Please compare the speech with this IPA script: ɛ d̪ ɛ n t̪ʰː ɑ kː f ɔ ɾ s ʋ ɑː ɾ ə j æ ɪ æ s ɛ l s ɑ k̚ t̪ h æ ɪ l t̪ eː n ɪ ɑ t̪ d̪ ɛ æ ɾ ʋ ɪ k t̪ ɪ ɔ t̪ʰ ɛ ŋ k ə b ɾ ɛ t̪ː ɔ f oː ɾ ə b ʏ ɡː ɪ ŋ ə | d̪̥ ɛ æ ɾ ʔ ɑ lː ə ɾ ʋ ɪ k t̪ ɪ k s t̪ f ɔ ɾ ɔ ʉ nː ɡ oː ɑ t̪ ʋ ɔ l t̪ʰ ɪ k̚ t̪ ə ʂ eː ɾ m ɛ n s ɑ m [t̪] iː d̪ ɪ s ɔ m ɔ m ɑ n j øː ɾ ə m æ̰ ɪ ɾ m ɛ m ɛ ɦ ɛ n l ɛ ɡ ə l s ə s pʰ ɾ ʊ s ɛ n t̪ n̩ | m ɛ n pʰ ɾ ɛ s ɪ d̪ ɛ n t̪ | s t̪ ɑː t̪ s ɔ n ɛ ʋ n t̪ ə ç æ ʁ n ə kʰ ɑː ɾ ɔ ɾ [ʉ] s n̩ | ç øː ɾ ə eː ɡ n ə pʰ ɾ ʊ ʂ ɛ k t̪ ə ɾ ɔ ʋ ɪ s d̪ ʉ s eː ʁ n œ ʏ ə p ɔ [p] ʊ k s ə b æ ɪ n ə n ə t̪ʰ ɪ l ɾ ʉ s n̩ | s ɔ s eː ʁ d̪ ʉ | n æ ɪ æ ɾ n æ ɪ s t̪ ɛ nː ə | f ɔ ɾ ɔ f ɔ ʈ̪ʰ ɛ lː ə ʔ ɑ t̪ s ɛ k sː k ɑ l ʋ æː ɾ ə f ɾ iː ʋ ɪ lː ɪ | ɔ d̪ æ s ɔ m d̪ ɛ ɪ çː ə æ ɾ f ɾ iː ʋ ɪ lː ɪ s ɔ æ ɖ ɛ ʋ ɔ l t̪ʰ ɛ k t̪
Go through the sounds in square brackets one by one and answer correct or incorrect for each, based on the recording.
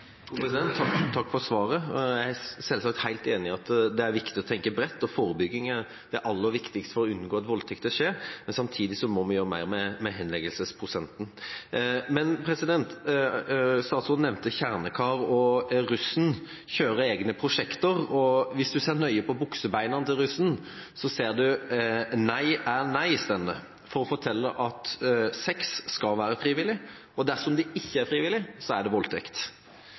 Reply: incorrect: t̪ʰ, correct, incorrect: b

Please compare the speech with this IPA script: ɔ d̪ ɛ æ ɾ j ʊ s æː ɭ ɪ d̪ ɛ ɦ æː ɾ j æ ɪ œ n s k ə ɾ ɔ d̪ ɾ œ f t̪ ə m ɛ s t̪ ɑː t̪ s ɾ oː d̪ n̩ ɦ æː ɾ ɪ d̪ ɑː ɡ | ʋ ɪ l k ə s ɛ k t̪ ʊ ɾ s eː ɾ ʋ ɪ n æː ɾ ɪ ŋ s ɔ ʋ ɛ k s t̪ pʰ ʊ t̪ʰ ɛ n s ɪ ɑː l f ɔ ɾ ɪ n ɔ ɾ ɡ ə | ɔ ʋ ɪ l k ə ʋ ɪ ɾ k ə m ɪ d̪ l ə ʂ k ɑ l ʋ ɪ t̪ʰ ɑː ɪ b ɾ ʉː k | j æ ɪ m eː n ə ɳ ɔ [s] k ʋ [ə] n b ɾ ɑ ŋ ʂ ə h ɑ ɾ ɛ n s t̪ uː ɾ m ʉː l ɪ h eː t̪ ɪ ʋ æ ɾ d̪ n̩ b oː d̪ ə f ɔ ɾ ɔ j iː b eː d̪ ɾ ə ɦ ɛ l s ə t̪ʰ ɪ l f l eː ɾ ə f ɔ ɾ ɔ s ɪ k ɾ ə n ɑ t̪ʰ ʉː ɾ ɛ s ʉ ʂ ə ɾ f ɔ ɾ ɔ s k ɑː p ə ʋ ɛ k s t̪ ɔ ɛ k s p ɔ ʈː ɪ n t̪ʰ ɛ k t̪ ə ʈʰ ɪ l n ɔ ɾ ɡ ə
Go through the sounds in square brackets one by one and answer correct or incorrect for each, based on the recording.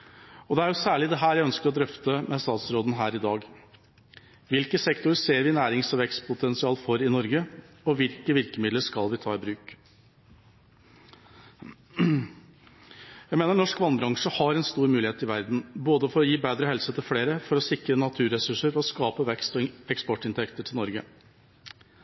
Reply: incorrect: ʂ, incorrect: ɑ

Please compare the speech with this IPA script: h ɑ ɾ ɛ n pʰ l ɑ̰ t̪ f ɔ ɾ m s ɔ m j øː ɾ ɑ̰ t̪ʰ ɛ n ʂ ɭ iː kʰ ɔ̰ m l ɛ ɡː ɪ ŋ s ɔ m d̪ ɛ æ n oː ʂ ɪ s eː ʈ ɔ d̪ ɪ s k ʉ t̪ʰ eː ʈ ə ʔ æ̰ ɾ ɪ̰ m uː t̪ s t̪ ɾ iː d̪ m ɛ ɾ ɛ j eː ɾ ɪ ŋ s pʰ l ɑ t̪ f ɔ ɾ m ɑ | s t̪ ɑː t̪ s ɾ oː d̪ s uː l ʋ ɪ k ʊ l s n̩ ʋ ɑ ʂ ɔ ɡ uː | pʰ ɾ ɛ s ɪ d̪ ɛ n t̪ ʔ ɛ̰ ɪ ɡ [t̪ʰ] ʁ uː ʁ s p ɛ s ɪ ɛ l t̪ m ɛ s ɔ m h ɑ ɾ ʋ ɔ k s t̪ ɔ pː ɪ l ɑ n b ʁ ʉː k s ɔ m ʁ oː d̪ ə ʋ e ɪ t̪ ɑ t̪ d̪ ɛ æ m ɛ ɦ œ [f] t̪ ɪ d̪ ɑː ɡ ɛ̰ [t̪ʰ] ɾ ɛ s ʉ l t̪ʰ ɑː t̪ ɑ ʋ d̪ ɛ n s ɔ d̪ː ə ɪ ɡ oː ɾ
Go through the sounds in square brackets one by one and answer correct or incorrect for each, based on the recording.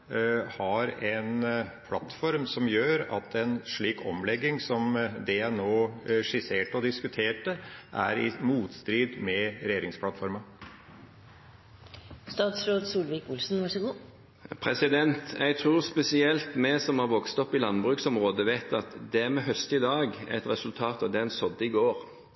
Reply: correct, incorrect: s, incorrect: t̪

